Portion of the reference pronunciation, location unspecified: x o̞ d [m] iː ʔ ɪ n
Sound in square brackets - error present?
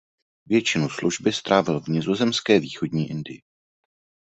yes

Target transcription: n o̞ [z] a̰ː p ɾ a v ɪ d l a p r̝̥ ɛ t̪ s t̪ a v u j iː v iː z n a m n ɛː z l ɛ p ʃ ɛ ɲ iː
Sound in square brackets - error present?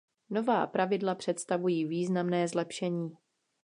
yes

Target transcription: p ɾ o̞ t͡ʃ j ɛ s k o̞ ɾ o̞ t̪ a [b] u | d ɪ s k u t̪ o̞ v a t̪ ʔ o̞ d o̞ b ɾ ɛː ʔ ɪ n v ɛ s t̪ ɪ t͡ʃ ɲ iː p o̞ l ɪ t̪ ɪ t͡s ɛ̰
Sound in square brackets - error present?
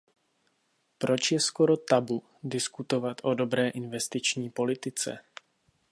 no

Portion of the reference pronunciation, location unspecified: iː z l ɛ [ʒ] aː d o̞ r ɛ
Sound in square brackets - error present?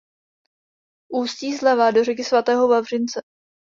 yes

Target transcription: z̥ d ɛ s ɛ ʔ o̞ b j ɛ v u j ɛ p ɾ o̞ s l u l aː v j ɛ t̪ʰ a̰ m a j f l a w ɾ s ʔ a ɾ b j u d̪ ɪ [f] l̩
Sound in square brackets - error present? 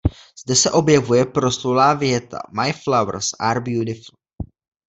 no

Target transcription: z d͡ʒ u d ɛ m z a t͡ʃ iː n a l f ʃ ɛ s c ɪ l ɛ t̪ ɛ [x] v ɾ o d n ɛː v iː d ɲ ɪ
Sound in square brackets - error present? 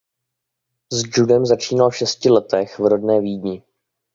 no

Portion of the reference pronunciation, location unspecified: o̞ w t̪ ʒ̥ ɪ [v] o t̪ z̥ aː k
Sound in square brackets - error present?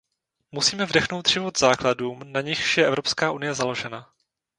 no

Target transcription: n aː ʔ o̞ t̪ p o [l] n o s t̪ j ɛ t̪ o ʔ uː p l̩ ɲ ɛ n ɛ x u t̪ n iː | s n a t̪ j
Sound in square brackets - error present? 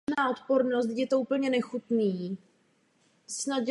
yes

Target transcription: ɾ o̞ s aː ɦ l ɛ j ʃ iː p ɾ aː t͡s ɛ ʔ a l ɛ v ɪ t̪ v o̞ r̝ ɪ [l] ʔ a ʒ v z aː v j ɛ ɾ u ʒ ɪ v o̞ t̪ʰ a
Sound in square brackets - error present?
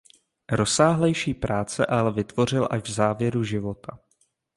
no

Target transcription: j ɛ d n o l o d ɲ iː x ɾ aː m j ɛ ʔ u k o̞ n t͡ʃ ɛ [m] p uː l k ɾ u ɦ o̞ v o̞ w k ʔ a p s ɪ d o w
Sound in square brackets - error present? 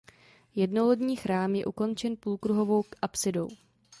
yes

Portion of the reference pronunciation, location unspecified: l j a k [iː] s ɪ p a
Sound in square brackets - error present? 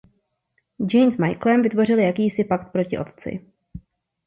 no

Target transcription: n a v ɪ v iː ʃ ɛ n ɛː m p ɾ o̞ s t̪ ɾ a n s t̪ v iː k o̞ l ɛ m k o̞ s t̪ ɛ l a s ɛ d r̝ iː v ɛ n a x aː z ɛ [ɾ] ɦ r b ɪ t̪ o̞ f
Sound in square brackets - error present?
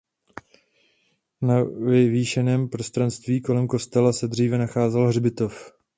yes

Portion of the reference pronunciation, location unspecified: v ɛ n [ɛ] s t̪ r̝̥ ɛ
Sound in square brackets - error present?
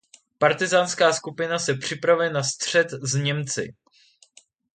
yes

